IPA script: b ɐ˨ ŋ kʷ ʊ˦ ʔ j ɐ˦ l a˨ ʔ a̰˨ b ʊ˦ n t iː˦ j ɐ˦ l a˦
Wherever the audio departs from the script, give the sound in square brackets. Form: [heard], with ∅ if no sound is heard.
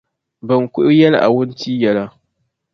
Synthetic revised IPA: b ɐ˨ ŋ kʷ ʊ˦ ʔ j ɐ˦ l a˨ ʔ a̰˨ [w] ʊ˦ n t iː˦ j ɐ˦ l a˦